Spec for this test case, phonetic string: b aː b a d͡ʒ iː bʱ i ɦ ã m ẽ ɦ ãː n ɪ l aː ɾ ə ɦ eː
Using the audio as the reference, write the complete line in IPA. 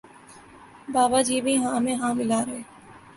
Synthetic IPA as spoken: b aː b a d͡ʒ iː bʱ i ɦ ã m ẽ ɦ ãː m ɪ l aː ɾ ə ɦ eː